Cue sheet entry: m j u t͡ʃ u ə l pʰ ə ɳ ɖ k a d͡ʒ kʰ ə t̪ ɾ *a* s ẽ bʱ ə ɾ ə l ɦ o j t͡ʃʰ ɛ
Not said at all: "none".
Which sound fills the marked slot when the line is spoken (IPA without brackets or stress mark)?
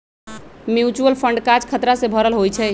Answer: a